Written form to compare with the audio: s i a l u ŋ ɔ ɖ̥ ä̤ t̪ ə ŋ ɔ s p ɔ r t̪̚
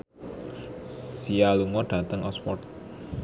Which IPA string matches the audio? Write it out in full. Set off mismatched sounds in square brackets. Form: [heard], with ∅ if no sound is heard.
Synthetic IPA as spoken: s i a l u ŋ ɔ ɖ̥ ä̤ t̪ ə ŋ ɔ s p ɔ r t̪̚